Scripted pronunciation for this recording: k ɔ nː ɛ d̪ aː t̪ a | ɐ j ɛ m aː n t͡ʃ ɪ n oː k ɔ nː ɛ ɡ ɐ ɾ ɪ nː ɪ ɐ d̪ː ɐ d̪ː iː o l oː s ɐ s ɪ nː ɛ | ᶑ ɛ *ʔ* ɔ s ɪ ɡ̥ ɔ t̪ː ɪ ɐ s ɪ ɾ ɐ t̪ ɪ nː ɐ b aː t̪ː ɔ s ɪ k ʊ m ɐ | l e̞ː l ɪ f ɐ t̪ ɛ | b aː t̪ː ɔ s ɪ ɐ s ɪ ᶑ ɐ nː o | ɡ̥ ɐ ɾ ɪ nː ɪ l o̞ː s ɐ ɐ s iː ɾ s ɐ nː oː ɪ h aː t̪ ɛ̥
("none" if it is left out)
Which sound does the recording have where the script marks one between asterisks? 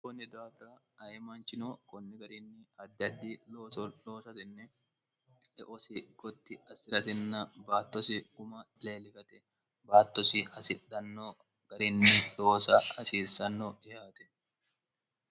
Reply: ʔ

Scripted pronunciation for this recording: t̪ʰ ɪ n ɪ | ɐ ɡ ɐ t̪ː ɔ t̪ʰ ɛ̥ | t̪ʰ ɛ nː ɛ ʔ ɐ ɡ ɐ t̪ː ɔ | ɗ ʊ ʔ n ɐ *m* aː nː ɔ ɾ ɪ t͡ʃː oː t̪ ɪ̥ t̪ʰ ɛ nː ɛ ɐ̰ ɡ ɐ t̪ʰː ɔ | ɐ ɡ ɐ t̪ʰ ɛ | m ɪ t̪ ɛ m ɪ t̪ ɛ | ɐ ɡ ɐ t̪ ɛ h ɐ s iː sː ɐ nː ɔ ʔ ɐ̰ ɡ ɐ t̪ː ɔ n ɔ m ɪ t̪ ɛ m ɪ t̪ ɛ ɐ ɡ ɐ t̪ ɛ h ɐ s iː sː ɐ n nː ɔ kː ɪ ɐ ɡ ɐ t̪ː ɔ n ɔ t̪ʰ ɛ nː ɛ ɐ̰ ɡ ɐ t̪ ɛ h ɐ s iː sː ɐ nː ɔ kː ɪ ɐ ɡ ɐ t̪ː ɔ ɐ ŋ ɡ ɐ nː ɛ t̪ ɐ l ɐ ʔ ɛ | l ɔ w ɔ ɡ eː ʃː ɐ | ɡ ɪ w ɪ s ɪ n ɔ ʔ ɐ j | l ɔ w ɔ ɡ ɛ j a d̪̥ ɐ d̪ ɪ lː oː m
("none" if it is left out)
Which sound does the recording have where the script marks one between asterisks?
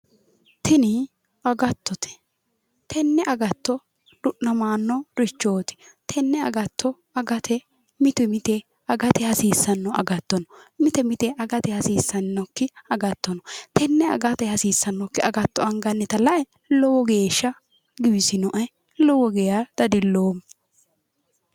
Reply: m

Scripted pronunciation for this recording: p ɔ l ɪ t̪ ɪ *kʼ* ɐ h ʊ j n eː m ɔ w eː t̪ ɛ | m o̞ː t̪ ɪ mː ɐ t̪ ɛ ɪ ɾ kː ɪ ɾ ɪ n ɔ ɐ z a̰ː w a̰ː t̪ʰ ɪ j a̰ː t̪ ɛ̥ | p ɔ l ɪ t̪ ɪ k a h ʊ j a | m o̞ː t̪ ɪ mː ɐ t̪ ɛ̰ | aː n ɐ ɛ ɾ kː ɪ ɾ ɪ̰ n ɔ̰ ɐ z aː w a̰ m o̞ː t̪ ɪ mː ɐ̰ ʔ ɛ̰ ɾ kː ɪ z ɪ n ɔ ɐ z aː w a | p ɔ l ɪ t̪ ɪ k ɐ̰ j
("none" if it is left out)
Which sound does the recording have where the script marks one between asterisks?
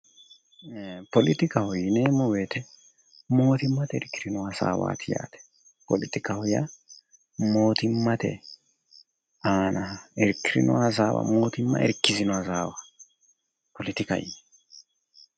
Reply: k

